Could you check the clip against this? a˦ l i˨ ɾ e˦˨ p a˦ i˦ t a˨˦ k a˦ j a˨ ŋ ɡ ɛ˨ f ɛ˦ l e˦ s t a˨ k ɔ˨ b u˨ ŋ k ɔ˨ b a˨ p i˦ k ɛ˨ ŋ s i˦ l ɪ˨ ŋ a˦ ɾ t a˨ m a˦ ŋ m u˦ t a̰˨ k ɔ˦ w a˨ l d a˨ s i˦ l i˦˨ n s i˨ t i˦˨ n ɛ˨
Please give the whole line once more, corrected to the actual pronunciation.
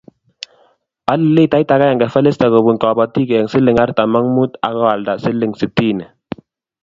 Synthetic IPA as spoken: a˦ l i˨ l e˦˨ t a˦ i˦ t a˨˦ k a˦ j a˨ ŋ ɡ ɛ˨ f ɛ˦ l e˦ s t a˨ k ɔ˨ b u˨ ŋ k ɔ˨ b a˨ t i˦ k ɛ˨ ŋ s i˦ l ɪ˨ ŋ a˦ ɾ t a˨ m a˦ ŋ m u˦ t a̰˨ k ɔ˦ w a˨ l d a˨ s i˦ l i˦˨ ŋ s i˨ t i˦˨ n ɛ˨